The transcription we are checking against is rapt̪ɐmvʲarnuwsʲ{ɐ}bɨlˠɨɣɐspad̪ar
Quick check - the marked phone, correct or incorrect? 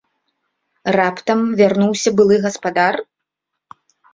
correct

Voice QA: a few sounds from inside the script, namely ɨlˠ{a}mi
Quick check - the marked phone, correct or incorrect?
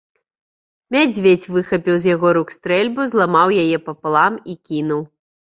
correct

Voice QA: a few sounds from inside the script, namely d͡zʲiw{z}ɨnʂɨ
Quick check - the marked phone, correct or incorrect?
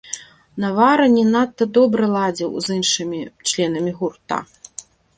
correct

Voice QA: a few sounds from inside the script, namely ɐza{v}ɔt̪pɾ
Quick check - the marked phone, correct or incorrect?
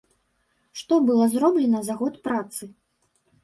incorrect: ɣ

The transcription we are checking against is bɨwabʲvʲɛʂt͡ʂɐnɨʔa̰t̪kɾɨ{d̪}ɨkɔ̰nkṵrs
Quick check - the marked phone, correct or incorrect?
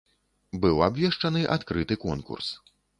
incorrect: t̪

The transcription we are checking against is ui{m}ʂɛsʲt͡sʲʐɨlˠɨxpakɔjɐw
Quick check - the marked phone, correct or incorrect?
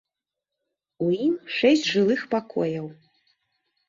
correct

